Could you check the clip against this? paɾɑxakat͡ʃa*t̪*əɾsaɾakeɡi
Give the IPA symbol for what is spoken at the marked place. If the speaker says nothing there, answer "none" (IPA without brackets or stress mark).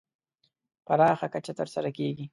t̪